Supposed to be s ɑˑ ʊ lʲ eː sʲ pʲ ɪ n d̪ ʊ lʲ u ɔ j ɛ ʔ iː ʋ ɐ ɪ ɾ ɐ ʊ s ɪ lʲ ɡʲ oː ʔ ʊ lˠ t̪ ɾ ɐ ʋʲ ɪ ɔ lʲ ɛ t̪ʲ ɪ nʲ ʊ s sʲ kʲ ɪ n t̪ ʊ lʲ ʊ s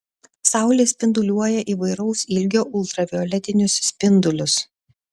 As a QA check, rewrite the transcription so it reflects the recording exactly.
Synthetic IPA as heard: s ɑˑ ʊ lʲ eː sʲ pʲ ɪ n d̪ ʊ lʲ u ɔ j ɛ ʔ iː ʋ ɐ ɪ ɾ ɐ ʊ s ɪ lʲ ɡʲ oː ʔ ʊ lˠ t̪ ɾ ɐ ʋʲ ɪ ɔ lʲ ɛ t̪ʲ ɪ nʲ ʊ s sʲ pʲ ɪ n d̪ ʊ lʲ ʊ s